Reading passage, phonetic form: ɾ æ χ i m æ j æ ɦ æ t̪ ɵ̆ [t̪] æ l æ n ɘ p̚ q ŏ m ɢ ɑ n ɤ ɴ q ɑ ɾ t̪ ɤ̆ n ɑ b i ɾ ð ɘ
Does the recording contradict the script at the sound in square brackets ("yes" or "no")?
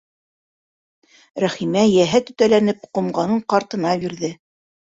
no